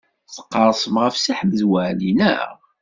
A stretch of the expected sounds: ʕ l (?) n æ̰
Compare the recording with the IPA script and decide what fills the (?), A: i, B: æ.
A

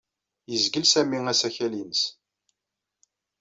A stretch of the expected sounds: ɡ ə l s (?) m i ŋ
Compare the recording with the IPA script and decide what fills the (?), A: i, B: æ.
B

